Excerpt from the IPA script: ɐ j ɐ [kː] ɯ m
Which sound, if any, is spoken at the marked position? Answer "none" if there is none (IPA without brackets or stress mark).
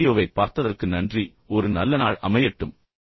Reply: ʈː